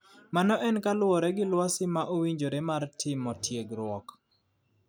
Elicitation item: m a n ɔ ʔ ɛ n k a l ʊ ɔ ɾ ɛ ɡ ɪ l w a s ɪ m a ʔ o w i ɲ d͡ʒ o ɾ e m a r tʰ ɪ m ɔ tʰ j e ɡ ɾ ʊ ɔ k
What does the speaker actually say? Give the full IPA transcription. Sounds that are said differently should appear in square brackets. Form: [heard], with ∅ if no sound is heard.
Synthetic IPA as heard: m a n ɔ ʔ ɛ n k a l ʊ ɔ ɾ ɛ ɡ ɪ l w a s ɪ m a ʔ o w i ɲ d͡ʒ o ɾ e m a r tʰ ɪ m ɔ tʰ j e ɡ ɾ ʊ ɔ k